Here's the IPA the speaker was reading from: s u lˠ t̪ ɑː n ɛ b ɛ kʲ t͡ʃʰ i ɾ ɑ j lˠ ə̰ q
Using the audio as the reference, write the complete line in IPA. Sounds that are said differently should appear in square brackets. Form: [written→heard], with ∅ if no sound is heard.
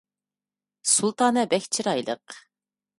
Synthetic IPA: s u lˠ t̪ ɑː n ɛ b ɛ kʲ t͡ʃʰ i ɾ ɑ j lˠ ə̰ q